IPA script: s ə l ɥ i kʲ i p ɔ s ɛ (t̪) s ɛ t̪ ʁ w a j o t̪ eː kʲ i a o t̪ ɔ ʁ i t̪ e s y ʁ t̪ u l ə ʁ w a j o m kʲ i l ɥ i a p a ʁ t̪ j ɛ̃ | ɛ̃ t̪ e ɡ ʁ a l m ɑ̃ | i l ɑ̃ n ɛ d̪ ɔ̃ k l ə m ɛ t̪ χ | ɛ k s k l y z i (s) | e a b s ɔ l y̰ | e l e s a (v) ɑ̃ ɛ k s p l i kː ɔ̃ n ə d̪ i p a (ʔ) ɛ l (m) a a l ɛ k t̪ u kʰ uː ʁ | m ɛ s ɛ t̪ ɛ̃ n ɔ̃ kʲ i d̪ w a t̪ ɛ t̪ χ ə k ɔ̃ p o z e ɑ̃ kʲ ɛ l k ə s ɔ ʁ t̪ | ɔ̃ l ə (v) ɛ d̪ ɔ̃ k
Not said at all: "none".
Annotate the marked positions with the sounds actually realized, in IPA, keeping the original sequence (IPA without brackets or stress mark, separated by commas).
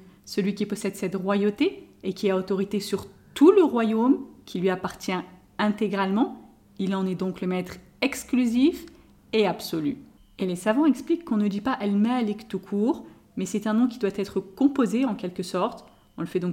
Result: d̪, f, v, ʔ, m, f